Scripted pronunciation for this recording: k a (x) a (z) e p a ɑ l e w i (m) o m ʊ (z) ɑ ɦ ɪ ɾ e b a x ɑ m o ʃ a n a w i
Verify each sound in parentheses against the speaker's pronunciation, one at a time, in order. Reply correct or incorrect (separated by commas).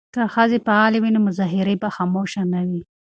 correct, correct, incorrect, correct